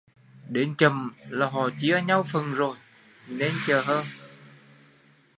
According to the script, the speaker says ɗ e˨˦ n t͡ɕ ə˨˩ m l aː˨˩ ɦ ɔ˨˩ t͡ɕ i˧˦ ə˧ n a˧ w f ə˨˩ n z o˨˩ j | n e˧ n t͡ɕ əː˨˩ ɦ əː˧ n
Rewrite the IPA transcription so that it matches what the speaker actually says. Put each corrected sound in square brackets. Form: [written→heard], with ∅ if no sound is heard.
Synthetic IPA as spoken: ɗ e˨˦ n t͡ɕ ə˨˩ m l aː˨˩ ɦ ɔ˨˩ t͡ɕ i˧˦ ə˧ [n→ɲ] a˧ w f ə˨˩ n z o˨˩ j | n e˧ n t͡ɕ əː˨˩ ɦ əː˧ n